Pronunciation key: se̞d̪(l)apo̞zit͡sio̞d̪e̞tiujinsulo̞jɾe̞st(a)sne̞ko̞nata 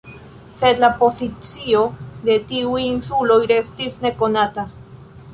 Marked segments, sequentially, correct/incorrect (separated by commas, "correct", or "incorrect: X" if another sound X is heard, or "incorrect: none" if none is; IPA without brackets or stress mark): correct, incorrect: i